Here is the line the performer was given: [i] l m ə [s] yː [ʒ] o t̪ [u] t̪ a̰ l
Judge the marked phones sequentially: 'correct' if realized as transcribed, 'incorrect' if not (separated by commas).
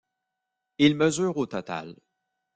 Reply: correct, incorrect, incorrect, incorrect